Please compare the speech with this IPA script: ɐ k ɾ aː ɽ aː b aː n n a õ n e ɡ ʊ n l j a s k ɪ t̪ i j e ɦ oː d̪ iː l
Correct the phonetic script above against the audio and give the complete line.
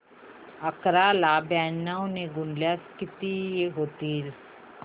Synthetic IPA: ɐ k ɾ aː l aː b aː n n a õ n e ɡ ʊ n l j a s k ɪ t̪ i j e ɦ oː t̪ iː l

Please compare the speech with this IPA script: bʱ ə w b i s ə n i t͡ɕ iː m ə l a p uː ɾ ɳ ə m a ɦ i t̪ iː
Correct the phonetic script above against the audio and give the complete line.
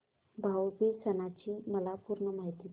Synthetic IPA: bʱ a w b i s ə n a t͡ɕ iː m ə l a p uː ɾ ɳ ə m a ɦ i t̪ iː

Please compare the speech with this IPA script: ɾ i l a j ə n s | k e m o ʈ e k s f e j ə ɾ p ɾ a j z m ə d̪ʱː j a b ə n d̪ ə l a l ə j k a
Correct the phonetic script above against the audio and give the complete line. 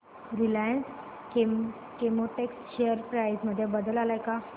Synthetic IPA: ɾ i l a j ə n s | k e m o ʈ e k s ɕ e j ə ɾ p ɾ a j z m ə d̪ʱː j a b ə d̪ ə l a l a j k a

